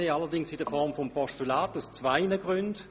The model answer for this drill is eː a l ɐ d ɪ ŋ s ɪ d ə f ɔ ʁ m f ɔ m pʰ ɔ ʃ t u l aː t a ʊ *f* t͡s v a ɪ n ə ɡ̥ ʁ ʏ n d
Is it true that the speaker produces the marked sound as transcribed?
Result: no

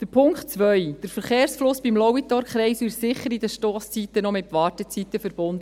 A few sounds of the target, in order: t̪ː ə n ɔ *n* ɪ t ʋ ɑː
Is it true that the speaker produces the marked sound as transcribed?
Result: no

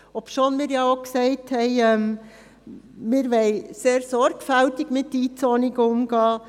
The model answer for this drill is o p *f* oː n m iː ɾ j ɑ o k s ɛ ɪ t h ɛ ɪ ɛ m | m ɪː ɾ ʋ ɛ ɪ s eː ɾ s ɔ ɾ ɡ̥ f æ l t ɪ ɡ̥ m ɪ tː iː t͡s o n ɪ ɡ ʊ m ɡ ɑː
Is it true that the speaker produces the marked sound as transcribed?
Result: no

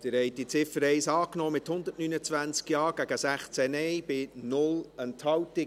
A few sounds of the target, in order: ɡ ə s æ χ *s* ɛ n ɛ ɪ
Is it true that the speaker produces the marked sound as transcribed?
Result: no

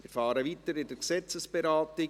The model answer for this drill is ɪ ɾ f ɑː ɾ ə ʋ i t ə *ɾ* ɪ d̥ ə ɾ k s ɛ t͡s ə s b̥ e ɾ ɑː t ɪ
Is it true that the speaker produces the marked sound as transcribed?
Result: yes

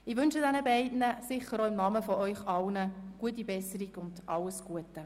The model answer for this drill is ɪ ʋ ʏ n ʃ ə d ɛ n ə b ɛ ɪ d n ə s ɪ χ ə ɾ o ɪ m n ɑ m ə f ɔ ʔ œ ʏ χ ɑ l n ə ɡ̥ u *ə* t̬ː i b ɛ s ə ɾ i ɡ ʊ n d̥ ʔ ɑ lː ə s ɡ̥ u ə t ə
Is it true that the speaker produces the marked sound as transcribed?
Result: yes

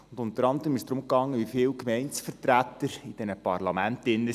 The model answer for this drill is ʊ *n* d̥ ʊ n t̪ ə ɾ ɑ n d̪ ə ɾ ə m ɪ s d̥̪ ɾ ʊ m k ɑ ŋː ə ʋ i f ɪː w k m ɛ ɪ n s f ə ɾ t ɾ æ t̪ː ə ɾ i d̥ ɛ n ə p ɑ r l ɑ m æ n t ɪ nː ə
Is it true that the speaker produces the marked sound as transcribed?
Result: yes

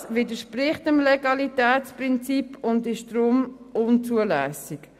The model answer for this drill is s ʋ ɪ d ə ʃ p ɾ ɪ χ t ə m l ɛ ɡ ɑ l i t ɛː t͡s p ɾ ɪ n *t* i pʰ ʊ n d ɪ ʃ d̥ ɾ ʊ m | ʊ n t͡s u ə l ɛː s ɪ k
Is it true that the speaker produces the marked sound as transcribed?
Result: no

